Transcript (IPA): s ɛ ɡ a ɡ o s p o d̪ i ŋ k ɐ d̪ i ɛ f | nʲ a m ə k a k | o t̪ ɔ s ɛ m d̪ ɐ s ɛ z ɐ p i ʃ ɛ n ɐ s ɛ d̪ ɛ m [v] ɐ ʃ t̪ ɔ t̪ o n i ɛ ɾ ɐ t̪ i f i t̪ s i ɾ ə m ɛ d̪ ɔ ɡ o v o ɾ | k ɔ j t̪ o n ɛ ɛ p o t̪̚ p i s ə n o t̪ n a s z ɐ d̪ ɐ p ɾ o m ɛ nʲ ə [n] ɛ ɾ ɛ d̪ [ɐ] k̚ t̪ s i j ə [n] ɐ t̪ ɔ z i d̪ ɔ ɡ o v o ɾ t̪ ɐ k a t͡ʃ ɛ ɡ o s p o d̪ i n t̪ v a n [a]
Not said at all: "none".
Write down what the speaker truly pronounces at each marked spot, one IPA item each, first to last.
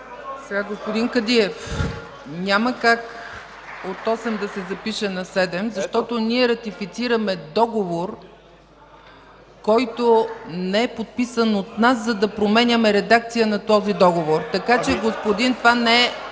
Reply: z, m, a, n, ɛ

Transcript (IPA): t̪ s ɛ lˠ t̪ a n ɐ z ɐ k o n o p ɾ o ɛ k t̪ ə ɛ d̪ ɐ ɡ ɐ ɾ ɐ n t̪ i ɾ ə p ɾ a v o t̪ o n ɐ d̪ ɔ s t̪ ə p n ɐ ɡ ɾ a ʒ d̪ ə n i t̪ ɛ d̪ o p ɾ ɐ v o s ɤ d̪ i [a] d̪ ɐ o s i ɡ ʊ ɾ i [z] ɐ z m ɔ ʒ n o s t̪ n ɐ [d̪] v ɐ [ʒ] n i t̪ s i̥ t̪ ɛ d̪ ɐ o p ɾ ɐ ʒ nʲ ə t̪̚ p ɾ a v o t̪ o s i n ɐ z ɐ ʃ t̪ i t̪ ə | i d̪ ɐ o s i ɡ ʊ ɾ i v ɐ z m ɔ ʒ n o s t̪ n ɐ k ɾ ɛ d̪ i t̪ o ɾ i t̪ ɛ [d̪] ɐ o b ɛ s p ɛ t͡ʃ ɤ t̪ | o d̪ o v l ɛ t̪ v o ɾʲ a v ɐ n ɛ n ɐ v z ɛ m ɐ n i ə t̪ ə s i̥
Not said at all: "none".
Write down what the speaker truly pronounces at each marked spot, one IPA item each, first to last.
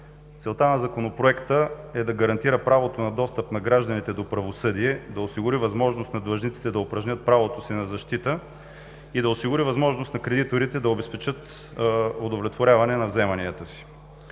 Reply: ɛ, v, d̪, ʒ, d̪

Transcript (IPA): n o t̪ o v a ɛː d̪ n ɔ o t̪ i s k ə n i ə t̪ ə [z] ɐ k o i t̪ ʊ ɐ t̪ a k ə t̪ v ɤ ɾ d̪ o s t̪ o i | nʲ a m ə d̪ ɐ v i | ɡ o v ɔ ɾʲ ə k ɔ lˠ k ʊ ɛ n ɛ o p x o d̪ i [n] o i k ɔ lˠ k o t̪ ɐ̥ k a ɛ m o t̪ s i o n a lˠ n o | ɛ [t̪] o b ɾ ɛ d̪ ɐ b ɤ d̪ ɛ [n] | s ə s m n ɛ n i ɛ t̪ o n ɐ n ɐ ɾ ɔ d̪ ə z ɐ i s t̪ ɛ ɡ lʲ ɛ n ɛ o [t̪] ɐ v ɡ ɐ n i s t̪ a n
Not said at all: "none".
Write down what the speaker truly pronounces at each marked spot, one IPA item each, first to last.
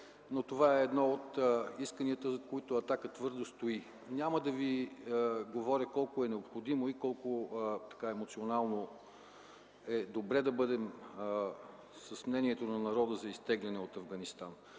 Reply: z, m, d̪, m, t̪

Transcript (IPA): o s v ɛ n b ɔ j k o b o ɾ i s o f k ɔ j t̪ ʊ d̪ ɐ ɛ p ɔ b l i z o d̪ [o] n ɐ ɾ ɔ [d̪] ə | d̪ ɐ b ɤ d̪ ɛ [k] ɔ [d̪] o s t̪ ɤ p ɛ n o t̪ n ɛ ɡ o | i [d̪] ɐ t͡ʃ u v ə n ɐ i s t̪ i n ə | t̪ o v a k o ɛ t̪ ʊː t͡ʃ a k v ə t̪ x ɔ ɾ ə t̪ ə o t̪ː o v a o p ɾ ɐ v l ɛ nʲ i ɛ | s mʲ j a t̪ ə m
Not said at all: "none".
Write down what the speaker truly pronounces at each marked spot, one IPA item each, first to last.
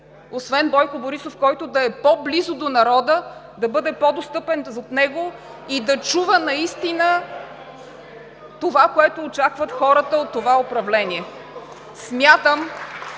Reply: o, d̪, p, d̪, d̪

